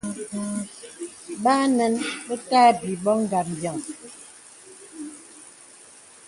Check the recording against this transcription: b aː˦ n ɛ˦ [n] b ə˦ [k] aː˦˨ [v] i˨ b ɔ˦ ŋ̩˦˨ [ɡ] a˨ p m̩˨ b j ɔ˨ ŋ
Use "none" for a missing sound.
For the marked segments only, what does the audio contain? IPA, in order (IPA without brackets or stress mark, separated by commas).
n, t, b, ɡ